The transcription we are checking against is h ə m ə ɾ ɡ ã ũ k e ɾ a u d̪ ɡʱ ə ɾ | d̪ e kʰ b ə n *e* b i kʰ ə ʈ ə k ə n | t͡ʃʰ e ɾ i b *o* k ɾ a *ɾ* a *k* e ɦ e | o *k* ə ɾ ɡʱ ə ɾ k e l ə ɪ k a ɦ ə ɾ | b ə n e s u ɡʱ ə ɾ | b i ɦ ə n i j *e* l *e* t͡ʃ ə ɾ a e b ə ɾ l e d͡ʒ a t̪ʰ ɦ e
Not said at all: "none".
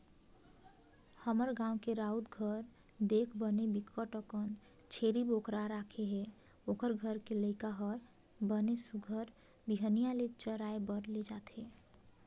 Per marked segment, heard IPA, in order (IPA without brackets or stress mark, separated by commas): e, o, ɾ, kʰ, k, a, e